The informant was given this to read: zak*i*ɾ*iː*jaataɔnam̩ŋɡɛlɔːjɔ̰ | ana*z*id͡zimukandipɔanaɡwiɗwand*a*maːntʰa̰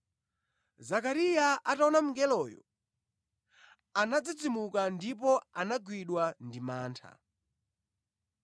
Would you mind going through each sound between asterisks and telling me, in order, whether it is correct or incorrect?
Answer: incorrect, incorrect, incorrect, incorrect

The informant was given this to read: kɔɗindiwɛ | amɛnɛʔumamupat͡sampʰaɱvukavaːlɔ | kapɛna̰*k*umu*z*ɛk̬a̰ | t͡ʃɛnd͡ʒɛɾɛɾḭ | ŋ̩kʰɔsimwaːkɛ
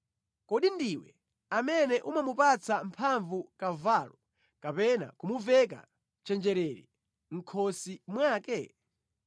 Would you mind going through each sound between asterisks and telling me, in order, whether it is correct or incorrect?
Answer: correct, incorrect

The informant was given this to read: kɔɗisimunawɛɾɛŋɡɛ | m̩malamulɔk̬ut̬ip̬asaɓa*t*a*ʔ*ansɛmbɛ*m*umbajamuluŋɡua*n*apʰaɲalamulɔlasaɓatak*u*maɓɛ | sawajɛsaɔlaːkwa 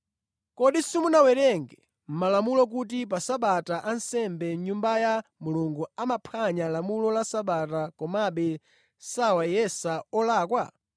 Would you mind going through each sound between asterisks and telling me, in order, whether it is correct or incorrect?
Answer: correct, correct, incorrect, incorrect, incorrect

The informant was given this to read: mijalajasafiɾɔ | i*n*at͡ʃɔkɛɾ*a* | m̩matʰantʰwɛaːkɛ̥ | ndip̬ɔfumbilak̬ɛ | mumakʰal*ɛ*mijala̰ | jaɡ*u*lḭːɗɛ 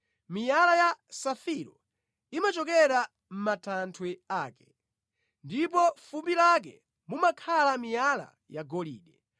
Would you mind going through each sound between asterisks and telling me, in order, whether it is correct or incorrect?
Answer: incorrect, correct, incorrect, incorrect

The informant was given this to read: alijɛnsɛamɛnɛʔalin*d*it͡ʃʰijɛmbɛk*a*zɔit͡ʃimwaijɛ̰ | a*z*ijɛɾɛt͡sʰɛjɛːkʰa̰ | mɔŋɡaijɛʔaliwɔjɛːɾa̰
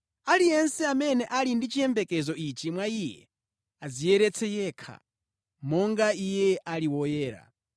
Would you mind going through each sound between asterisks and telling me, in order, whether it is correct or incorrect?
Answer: correct, incorrect, correct

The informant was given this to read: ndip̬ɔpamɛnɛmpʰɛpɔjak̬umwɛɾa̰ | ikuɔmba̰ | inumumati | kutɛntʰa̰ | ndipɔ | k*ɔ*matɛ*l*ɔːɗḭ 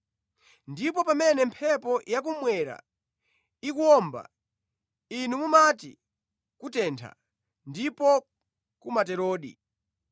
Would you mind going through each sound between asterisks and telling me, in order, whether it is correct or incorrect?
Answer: incorrect, incorrect

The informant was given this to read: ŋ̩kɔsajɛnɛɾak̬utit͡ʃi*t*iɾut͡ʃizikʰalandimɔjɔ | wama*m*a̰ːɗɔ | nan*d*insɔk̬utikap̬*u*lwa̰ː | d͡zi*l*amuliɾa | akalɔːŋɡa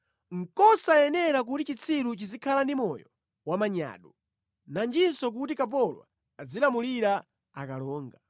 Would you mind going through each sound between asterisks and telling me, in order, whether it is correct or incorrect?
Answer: incorrect, incorrect, incorrect, incorrect, correct

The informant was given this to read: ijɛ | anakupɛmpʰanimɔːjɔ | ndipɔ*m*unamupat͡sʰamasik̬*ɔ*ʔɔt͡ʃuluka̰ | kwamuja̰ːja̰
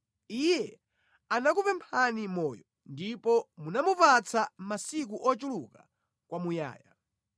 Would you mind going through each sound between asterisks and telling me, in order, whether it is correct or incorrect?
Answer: correct, incorrect

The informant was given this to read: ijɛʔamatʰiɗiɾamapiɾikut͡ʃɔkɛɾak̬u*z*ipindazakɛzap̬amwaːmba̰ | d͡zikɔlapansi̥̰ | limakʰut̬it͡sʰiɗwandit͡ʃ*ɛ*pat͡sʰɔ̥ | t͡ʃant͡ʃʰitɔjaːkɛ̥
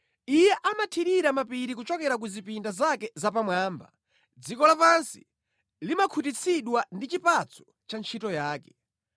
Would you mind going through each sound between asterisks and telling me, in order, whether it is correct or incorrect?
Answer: correct, incorrect

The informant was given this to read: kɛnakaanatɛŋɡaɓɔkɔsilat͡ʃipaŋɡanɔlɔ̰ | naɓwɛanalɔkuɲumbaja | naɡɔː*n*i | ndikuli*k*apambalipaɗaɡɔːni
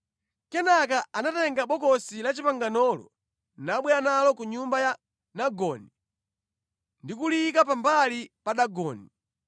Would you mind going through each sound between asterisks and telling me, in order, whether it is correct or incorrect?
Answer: correct, correct

